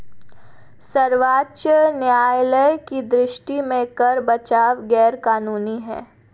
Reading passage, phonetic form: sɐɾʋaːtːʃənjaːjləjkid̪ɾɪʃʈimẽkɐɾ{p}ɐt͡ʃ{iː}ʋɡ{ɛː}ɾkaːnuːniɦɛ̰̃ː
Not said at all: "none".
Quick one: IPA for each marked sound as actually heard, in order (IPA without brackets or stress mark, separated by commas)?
b, aː, ɛː